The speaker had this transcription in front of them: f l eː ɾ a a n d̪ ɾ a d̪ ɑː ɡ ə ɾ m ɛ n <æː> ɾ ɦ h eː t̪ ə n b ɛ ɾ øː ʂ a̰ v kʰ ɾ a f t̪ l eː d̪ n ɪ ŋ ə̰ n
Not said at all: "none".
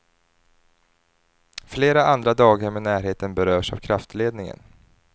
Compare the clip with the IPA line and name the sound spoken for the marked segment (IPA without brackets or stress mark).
æː